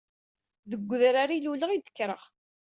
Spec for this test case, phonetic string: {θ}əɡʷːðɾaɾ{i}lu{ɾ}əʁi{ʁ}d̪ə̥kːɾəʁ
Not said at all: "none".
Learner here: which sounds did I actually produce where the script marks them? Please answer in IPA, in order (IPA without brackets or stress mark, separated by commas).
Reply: ð, i, l, none